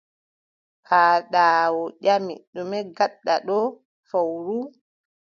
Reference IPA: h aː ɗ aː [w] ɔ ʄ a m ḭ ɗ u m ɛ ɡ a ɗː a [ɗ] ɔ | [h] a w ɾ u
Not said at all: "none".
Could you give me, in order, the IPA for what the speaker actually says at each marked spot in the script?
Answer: w, ɗ, f

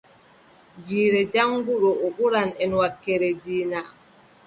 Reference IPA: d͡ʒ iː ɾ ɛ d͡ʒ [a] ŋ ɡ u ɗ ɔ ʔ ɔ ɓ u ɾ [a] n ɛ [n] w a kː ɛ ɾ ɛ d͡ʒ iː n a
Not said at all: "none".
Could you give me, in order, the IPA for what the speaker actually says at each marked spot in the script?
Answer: a, a, n

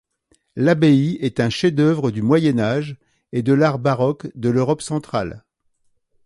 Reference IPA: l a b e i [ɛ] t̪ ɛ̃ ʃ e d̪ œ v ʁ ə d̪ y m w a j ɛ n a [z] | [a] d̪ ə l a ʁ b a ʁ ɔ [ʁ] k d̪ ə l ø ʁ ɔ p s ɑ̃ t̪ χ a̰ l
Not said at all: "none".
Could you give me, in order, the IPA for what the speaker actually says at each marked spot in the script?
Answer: ɛ, ʒ, e, none

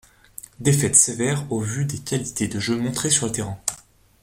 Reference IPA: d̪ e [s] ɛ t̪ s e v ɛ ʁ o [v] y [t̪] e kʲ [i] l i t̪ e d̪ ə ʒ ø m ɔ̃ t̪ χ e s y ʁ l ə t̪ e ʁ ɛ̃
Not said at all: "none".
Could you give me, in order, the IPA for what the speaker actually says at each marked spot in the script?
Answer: f, v, d̪, a

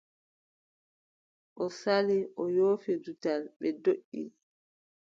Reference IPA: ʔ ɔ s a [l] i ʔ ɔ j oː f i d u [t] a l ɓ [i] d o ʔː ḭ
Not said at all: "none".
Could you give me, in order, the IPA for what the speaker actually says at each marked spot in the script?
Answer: l, t, ɛ

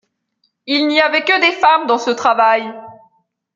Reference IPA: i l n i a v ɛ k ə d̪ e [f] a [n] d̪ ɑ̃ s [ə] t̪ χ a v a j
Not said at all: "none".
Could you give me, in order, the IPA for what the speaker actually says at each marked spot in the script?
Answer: f, m, ə

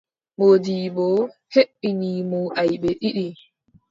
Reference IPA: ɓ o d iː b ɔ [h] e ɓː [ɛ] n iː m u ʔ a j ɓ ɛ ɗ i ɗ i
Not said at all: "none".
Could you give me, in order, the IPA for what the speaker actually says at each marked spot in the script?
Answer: h, i

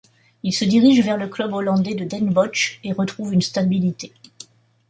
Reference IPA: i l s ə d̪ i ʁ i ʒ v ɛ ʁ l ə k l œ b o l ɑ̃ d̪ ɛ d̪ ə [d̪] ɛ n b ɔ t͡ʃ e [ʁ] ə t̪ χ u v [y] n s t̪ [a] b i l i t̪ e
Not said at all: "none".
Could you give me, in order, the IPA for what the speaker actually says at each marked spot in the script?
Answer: d̪, ʁ, y, a

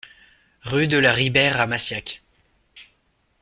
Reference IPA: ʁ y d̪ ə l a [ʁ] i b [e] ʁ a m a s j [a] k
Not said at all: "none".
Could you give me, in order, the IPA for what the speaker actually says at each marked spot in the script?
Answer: ʁ, ɛ, a

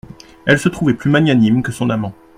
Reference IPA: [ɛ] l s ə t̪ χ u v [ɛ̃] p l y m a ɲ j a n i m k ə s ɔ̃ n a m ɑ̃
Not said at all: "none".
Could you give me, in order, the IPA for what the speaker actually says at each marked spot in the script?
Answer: ɛ, ɛ

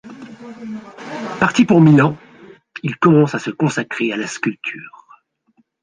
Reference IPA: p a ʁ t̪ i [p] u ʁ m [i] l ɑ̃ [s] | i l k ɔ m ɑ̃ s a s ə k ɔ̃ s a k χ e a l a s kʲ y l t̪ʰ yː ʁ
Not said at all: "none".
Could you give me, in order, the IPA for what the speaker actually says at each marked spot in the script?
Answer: p, i, none

